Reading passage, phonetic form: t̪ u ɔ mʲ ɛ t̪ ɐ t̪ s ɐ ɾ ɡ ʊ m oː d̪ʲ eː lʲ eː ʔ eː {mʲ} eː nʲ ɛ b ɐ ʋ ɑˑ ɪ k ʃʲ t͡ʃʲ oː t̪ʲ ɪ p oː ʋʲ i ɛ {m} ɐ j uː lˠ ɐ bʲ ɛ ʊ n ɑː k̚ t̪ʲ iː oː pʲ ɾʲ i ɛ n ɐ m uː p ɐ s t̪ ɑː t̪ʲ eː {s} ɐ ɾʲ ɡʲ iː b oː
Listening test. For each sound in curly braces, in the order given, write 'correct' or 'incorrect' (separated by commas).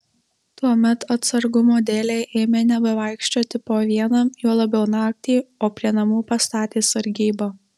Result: correct, incorrect, correct